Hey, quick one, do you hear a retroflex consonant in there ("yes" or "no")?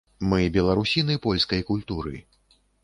no